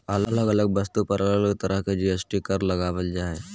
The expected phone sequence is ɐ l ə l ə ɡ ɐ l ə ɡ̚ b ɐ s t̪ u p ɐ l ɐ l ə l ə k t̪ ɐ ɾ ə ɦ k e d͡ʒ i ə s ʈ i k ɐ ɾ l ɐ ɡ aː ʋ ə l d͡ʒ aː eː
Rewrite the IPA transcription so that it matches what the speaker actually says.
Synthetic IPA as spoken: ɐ l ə l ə ɡ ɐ l ə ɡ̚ b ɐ s t̪ u p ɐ ɾ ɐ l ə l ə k t̪ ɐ ɾ ə ɦ k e d͡ʒ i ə s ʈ i k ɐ ɾ l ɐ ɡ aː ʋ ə l d͡ʒ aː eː